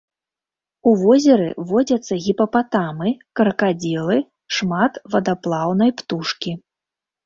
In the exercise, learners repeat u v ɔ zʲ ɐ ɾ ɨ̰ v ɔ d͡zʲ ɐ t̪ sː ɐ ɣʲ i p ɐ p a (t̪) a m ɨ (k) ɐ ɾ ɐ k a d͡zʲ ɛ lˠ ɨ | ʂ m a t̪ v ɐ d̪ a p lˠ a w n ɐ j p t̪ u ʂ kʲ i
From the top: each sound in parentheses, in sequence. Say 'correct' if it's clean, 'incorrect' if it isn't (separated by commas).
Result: correct, correct